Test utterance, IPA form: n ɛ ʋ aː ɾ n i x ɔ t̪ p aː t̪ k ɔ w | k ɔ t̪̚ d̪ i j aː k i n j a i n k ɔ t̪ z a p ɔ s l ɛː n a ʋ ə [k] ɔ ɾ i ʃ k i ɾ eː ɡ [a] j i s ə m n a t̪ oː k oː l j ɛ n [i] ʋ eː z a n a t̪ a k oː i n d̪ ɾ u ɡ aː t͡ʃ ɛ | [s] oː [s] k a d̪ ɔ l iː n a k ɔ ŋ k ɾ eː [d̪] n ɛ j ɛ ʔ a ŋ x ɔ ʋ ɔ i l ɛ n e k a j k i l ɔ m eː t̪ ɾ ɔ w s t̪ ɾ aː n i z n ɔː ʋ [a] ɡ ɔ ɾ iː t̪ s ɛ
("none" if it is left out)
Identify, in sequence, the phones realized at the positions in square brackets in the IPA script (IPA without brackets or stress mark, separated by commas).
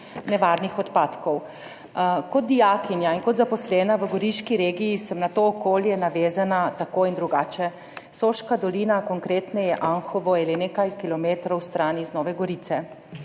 ɡ, i, a, s, ʃ, t̪, ɛ